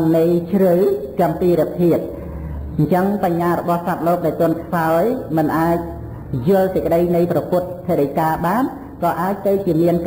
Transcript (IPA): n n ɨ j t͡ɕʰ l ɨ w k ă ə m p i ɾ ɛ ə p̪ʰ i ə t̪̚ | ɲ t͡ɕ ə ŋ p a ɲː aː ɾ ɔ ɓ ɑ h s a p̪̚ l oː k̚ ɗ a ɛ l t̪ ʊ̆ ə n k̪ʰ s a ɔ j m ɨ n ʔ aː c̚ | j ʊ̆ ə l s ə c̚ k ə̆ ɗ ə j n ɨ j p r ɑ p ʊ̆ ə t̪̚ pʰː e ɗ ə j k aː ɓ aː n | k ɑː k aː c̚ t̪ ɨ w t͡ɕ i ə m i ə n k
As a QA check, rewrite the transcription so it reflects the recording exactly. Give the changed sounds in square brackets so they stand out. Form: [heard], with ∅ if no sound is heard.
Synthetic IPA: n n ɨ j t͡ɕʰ [r] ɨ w k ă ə m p [iː] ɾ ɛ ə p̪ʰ i ə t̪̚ | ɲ t͡ɕ ə ŋ p a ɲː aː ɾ ɔ ɓ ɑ h s a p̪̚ l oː k̚ ɗ a ɛ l t̪ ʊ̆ ə n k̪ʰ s a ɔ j m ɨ n ʔ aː c̚ | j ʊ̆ ə l s ə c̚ k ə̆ ɗ ə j n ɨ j p r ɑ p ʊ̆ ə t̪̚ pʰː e ɗ ə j k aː ɓ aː n | k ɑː [ʔ] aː c̚ t̪ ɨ w t͡ɕ i ə m i ə n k